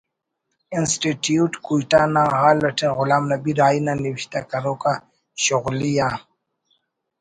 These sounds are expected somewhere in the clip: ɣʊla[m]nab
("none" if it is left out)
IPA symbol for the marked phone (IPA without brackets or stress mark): m